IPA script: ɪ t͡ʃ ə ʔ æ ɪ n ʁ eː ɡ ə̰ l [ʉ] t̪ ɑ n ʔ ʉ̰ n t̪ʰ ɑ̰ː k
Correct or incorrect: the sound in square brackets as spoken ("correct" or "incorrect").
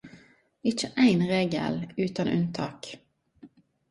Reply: incorrect